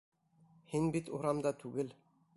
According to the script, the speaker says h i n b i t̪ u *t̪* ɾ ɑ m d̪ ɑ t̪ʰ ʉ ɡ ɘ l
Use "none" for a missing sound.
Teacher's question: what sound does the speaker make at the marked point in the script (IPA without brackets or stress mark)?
none